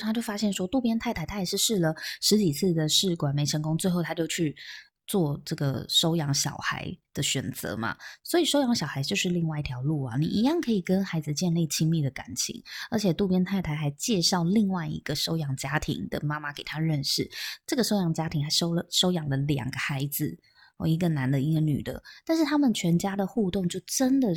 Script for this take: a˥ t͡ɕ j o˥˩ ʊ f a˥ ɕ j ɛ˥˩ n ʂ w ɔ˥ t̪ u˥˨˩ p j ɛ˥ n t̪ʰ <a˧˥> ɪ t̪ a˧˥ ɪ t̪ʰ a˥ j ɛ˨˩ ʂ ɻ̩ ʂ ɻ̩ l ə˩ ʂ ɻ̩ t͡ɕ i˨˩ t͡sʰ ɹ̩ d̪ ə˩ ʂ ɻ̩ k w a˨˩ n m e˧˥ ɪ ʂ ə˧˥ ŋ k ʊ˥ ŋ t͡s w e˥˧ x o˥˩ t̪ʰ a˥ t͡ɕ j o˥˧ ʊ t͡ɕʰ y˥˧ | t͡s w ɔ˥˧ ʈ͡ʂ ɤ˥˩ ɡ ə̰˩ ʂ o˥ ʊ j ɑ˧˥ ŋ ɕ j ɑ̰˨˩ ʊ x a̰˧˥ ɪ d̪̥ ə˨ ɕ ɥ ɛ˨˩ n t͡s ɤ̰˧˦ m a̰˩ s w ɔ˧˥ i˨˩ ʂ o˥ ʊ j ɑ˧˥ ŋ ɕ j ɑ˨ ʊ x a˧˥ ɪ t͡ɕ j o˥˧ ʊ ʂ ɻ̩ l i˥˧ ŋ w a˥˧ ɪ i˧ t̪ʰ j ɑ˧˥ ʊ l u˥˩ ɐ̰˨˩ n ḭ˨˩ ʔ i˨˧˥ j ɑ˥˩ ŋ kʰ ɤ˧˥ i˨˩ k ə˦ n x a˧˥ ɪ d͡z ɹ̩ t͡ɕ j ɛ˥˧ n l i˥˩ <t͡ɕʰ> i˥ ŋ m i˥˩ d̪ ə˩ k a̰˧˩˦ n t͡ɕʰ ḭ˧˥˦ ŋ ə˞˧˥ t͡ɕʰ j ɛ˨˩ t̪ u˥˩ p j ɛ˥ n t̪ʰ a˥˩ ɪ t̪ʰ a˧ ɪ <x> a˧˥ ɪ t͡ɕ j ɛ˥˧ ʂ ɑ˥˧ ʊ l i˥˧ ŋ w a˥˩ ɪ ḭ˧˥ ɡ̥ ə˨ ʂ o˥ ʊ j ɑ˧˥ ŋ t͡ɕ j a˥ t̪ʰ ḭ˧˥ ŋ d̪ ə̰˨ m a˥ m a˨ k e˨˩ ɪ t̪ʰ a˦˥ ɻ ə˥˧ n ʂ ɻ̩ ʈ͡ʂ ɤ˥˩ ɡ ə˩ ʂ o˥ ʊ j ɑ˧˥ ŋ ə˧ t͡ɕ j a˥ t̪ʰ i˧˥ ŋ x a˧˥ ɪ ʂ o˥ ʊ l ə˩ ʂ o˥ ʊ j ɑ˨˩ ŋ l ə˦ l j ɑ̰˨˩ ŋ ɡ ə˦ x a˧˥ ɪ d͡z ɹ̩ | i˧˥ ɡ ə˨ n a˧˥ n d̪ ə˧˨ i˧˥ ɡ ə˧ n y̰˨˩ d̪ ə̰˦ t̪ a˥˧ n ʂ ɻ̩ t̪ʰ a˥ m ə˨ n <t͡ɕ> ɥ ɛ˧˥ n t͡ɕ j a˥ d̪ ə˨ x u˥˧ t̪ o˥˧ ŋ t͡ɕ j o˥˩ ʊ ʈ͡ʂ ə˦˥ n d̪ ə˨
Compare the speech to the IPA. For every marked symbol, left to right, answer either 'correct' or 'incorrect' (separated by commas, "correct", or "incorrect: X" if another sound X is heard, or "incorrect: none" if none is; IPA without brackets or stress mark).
incorrect: a˥˩, correct, correct, incorrect: t͡ɕʰ